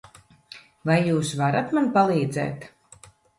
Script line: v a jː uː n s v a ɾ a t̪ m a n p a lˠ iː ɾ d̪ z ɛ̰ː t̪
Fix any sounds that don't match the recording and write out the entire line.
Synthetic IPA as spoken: v a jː uː s v a ɾ a t̪ m a n p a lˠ iː d̪ z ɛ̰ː t̪

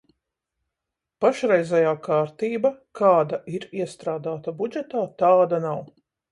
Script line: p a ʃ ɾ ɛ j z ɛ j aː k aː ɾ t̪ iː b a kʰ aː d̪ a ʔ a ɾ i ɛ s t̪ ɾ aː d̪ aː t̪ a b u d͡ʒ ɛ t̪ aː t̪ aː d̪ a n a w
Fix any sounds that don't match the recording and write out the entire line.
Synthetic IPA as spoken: p a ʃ ɾ ɛ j z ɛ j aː k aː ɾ t̪ iː b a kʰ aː d̪ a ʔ i ɾ i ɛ s t̪ ɾ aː d̪ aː t̪ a b u d͡ʒ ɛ t̪ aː t̪ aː d̪ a n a w

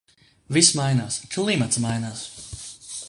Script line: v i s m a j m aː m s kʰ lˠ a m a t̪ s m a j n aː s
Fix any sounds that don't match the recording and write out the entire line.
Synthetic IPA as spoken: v i s m a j n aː s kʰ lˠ i m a t̪ s m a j n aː s

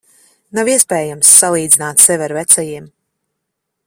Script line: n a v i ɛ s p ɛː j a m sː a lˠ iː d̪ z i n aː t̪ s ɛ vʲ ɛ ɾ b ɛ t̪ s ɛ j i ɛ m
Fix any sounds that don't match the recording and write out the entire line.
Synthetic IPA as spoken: n a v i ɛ s p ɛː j a m sː a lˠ iː d̪ z i n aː t̪ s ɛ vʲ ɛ ɾ v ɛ t̪ s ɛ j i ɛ m

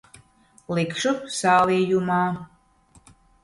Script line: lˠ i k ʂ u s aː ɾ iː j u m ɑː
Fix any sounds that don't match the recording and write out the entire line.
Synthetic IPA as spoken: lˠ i k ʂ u s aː l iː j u m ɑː

